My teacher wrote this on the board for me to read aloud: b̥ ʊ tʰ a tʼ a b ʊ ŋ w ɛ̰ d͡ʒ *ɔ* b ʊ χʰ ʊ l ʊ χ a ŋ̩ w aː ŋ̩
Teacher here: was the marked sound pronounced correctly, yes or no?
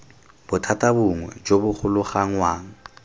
no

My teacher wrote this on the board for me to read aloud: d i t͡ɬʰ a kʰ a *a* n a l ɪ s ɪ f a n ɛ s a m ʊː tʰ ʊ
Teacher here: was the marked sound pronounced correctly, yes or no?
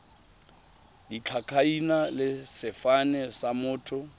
no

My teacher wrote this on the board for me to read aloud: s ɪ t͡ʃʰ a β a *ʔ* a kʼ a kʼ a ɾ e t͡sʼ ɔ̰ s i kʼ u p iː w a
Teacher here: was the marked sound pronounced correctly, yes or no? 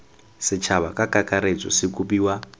no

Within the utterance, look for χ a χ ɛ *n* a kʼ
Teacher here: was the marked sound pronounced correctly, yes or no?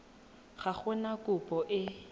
yes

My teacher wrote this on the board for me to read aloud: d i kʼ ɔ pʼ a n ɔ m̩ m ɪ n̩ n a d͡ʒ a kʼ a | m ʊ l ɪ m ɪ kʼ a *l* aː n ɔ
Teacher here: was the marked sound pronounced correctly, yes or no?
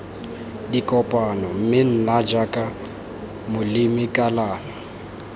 yes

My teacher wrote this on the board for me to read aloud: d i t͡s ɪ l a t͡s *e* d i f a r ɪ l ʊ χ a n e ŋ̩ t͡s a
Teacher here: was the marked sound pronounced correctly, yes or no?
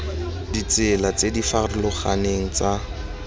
yes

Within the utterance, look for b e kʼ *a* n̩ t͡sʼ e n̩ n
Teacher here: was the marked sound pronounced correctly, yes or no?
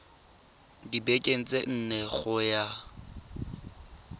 no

